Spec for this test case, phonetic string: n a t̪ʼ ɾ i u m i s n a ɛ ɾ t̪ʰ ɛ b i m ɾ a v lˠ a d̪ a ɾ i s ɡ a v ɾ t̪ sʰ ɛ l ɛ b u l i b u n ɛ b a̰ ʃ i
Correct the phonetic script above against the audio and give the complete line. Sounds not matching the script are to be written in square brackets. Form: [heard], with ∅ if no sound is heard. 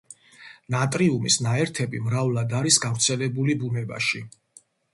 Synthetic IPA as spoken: n a t̪ʼ ɾ i u m i s n a ɛ ɾ t̪ʰ ɛ b i m ɾ a v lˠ a d̪ a ɾ i s ɡ a v ɾ t̪ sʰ ɛ l ɛ b u l i b u n ɛ b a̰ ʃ i